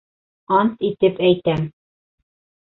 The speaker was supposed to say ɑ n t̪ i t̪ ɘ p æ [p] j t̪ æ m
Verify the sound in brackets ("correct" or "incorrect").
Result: incorrect